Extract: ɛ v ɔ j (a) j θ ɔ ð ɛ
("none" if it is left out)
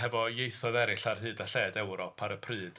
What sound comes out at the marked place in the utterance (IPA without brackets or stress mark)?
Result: e